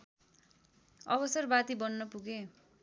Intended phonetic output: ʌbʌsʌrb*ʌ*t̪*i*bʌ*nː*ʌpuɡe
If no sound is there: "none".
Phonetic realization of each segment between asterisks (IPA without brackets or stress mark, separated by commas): a, i, nː